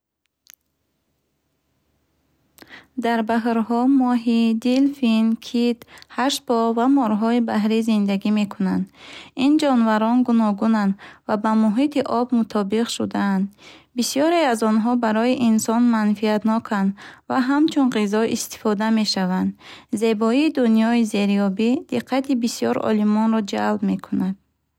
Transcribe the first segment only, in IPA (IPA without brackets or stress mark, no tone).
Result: d̪